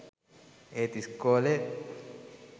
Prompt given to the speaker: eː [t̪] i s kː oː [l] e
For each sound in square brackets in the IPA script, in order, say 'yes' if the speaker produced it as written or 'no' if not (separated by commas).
yes, yes